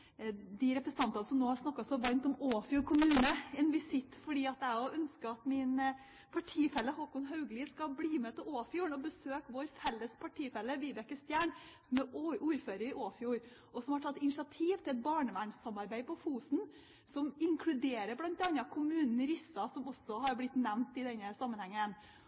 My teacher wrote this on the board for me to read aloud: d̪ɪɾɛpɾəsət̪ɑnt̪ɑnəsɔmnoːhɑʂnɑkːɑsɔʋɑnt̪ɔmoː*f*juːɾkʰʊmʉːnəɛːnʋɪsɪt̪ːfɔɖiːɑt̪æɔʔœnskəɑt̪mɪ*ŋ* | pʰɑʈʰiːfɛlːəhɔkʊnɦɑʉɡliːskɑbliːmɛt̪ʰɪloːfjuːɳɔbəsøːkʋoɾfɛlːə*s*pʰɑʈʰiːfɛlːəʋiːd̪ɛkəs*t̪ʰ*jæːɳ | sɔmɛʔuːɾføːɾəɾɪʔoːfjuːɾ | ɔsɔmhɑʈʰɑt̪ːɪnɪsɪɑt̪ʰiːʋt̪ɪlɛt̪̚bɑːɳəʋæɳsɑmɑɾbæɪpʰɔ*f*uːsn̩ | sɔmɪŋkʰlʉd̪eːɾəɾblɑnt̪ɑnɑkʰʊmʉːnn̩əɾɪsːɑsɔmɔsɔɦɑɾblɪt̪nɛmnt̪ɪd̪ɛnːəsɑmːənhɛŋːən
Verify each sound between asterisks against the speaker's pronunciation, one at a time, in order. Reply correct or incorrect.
correct, incorrect: n, correct, incorrect: t̪, correct

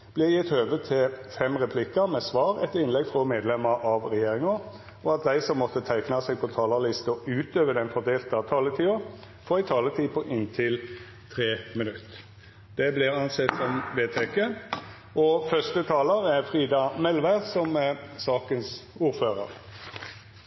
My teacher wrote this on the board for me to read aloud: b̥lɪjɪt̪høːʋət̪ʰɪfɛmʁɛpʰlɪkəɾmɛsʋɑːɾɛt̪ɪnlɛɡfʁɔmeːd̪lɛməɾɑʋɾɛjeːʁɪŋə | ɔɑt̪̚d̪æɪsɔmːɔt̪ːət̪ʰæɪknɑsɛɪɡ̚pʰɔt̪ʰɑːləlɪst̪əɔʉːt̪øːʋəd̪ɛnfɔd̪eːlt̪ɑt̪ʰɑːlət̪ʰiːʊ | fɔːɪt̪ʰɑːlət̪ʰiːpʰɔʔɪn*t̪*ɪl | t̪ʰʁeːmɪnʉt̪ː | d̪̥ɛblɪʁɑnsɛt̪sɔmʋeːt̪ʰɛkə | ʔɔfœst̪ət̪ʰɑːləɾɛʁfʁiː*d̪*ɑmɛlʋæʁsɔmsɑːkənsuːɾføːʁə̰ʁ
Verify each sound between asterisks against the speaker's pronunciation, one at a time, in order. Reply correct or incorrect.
incorrect: t̪ʰ, correct

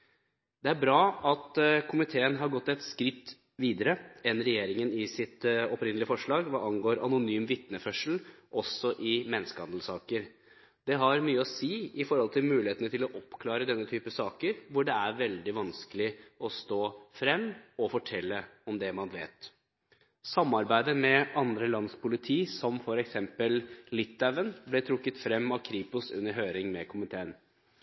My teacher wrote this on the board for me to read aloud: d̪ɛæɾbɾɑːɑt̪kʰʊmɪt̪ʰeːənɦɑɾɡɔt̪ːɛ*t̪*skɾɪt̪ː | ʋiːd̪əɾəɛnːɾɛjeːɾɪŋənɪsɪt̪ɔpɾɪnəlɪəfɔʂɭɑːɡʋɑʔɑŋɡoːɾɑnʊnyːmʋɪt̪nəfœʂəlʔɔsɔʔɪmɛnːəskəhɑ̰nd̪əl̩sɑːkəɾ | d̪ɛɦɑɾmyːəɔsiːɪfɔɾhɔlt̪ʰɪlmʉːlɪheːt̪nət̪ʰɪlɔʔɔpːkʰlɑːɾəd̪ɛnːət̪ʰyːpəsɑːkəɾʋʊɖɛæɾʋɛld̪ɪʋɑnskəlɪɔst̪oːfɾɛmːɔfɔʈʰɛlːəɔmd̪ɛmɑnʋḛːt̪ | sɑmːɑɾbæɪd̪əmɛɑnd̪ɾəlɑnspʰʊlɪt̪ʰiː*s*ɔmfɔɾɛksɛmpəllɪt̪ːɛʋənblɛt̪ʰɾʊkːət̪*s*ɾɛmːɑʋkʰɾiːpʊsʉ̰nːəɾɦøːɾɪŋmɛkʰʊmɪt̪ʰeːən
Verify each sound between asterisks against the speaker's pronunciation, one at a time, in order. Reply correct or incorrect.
correct, correct, incorrect: f

